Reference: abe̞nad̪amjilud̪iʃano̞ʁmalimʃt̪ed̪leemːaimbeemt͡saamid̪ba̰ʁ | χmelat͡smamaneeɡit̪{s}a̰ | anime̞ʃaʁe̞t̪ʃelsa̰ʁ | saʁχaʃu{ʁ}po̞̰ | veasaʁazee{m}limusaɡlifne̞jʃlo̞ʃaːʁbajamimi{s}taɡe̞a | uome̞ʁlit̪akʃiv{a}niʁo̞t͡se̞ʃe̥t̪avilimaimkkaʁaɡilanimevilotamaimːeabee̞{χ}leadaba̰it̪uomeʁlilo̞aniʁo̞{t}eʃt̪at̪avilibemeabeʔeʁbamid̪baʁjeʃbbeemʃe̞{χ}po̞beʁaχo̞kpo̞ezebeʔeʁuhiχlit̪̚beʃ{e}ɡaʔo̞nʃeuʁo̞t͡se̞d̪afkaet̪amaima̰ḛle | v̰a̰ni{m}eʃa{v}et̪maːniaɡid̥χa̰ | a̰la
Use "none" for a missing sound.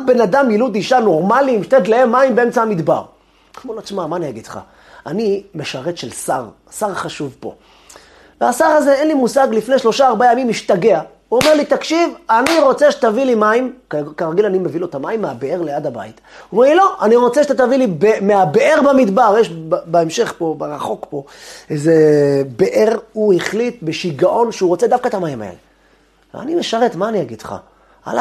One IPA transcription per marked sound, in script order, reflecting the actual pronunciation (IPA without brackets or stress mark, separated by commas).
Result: χ, v, n, ʃ, a, ʁ, t͡s, χ, i, m, ʁ